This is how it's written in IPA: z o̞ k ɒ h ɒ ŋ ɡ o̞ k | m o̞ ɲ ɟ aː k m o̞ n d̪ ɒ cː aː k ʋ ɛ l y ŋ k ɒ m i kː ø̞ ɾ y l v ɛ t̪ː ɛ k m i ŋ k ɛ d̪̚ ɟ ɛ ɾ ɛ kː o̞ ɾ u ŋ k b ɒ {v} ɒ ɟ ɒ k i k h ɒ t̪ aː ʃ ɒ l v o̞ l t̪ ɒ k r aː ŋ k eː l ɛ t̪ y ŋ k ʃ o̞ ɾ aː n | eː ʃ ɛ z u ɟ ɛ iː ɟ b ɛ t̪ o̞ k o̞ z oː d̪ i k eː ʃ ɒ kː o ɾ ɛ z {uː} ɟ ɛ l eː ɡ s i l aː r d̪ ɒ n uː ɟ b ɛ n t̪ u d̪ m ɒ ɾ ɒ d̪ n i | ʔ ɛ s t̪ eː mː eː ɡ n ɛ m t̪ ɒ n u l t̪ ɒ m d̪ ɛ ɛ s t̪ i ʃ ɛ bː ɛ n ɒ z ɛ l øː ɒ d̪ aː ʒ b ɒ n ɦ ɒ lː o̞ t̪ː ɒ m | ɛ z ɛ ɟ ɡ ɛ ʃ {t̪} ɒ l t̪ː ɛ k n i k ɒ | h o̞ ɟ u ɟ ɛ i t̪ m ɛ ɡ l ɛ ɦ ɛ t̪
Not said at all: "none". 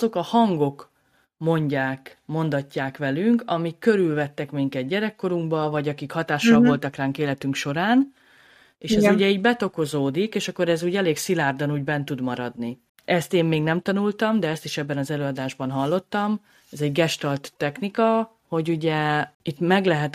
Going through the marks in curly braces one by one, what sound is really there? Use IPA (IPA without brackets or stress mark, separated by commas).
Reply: v, uː, t̪